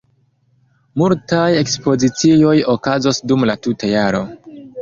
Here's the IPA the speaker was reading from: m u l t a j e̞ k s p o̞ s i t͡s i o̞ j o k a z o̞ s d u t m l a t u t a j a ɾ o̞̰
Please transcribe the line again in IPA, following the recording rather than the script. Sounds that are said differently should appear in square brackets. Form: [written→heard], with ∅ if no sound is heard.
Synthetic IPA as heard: m u l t a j e̞ k s p o̞ [s→z] i t͡s i o̞ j o k a z o̞ s d u [t→∅] m l a t u t a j a ɾ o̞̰